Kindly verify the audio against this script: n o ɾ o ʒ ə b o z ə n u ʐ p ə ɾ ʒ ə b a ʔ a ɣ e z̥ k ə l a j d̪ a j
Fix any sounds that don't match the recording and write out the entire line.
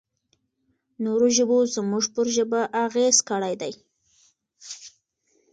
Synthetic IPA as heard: n o ɾ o ʒ ə b o z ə m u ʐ p ə ɾ ʒ ə b a ʔ a ɣ e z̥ k ə ɽ a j d̪ a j